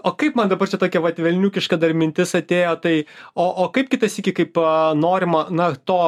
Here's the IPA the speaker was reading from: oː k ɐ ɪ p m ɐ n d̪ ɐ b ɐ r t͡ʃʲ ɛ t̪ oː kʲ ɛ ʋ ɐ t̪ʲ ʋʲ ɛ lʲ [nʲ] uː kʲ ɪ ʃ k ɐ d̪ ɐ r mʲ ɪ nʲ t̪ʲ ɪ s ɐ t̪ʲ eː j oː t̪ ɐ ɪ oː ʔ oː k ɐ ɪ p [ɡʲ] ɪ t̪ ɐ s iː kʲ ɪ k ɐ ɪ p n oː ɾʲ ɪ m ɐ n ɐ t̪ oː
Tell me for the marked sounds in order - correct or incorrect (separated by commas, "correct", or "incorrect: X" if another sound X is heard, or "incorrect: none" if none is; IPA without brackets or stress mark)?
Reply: correct, incorrect: kʲ